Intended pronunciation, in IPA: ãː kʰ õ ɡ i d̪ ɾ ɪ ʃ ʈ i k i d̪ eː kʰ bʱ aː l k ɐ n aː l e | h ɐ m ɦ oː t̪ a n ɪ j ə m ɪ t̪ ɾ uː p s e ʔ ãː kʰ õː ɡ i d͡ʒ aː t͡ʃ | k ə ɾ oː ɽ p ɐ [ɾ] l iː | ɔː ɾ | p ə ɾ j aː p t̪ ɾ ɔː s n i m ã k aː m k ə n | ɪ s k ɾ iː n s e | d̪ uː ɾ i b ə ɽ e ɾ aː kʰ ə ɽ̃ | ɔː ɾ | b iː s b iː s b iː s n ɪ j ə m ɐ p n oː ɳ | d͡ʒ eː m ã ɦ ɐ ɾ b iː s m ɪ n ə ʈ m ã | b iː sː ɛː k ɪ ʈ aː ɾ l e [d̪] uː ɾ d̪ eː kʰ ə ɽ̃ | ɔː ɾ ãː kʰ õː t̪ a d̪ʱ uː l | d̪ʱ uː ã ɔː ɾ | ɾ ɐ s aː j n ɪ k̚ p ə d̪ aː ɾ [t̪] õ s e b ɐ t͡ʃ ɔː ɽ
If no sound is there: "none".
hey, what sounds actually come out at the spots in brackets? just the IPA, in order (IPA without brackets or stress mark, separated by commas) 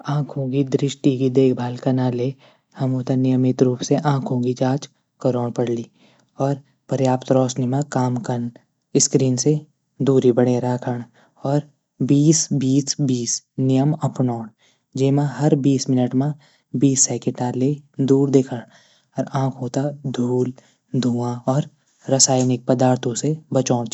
ɽ, d̪, t̪ʰ